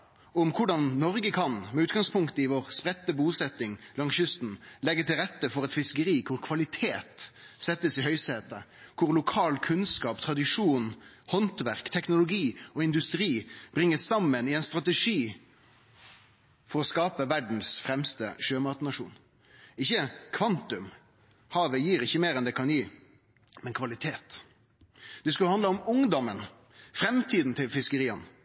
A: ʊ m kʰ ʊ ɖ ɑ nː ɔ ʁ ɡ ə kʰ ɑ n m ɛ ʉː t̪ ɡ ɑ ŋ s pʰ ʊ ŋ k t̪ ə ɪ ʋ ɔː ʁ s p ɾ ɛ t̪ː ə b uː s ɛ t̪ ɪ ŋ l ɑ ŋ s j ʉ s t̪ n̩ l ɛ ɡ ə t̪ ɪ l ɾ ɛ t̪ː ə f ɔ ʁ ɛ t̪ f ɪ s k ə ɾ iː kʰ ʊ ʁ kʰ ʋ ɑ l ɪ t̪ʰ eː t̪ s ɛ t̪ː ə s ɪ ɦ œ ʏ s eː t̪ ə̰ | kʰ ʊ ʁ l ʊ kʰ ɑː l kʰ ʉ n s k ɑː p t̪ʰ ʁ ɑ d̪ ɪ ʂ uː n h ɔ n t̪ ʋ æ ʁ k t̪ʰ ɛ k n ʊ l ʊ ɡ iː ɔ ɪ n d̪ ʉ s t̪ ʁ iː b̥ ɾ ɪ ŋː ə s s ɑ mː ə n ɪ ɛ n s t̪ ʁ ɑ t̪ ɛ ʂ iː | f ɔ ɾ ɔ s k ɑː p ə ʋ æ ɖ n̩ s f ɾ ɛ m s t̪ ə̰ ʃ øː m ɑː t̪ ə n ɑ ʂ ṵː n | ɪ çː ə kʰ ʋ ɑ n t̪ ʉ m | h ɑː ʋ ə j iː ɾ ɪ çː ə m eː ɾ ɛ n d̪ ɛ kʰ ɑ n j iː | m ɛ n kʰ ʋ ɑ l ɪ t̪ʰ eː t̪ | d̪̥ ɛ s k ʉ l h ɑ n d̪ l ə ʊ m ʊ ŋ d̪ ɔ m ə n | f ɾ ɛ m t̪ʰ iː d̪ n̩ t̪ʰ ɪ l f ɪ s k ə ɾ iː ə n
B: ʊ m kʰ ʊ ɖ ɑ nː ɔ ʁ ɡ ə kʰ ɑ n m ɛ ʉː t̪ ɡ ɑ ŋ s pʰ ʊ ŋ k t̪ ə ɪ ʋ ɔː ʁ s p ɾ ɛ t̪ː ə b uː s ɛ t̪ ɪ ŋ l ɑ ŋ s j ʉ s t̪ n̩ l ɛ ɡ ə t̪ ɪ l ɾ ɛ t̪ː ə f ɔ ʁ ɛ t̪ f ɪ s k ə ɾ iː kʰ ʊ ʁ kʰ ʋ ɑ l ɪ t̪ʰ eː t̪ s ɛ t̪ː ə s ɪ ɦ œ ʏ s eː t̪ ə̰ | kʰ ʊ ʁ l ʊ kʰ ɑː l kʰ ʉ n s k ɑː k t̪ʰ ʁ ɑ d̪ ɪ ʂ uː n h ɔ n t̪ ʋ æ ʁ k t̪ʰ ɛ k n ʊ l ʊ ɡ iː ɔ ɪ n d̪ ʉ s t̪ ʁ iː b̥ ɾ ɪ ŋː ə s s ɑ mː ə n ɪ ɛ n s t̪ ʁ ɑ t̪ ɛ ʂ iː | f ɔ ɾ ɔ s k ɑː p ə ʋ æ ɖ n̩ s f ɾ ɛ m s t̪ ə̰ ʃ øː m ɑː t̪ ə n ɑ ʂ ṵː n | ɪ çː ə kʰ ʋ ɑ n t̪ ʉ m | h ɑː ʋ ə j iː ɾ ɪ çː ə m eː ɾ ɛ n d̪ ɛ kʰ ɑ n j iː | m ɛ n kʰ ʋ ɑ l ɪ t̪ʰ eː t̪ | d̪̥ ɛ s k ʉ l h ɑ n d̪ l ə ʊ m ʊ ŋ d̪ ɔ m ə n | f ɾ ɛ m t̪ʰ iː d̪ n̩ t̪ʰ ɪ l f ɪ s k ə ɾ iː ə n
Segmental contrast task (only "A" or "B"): A